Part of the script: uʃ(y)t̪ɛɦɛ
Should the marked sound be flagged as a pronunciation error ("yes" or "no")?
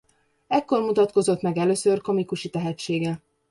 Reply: yes